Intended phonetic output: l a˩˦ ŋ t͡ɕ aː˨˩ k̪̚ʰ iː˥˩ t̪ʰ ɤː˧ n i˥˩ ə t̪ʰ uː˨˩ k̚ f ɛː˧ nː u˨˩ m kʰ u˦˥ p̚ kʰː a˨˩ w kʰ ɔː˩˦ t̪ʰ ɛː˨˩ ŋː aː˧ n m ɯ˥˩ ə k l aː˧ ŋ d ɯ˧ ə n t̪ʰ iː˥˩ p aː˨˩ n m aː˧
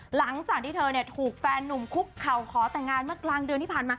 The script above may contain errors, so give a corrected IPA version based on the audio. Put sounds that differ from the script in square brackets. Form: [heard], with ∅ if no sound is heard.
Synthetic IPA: l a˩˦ ŋ t͡ɕ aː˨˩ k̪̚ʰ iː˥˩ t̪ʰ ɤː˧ n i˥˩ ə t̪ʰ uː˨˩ k̚ f ɛː˧ nː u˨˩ m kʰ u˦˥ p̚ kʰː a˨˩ w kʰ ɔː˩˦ [t̪] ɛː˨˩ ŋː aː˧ n m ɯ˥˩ ə k l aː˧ ŋ d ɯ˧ ə n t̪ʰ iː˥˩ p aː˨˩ n m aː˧